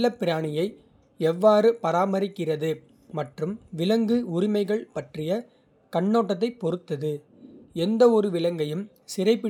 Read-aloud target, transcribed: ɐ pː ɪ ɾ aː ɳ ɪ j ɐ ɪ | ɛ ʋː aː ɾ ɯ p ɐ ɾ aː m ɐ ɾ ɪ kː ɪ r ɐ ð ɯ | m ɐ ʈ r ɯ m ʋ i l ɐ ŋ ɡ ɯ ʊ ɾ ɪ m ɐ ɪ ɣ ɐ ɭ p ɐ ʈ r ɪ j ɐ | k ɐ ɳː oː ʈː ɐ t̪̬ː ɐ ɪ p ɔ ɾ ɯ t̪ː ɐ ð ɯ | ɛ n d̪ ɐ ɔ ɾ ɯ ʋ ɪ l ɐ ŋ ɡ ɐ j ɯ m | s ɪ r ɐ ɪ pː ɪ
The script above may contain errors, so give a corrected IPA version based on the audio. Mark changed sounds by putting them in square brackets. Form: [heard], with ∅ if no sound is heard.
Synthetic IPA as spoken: ɐ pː ɪ ɾ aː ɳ ɪ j ɐ ɪ | ɛ ʋː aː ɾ ɯ p ɐ ɾ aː m ɐ ɾ ɪ kː ɪ r ɐ ð ɯ | m ɐ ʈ r ɯ m ʋ [ɪ] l ɐ ŋ ɡ ɯ ʊ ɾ ɪ m ɐ ɪ ɣ ɐ ɭ p ɐ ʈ r ɪ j ɐ | k ɐ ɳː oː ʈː ɐ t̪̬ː ɐ ɪ p ɔ ɾ ɯ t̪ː ɐ ð ɯ | ɛ n d̪ ɐ ɔ ɾ ɯ ʋ ɪ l ɐ ŋ ɡ ɐ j ɯ m | s ɪ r ɐ ɪ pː ɪ